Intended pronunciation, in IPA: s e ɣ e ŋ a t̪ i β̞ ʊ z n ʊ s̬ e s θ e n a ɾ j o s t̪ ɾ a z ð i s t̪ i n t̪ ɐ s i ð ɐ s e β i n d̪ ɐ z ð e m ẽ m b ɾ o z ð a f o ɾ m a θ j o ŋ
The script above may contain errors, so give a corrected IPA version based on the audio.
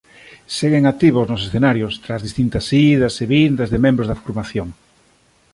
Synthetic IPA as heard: s e ɣ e ŋ a t̪ i β̞ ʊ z n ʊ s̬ e s θ e n a ɾ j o s t̪ ɾ a z ð i s t̪ i n t̪ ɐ s i ð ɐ s e β i n d̪ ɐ z ð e m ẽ m b ɾ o z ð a f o ɾ m a θ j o ŋ